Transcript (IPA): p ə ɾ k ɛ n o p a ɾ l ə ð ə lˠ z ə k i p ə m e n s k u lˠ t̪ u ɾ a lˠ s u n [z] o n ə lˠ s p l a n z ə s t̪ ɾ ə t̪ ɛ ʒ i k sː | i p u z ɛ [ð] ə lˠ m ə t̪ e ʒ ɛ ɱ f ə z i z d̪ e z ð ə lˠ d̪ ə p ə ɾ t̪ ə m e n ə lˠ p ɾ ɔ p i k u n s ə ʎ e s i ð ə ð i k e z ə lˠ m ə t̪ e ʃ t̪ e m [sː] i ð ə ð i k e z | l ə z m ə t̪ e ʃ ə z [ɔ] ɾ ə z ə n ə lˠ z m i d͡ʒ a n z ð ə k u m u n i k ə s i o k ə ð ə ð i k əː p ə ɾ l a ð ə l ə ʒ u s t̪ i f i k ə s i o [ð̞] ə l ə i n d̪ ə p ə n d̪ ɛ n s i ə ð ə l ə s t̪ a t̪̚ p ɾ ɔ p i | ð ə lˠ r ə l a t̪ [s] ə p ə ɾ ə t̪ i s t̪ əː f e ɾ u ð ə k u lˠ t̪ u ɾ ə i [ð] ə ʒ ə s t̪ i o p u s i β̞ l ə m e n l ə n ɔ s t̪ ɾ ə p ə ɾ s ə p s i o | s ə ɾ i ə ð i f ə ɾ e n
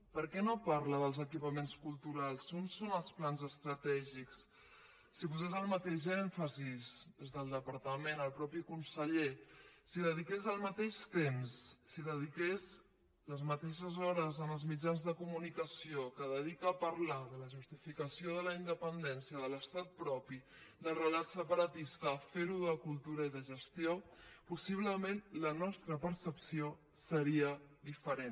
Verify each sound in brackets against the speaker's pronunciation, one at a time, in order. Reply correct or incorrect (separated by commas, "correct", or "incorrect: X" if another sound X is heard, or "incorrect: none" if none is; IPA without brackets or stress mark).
incorrect: s, incorrect: z, correct, correct, correct, correct, correct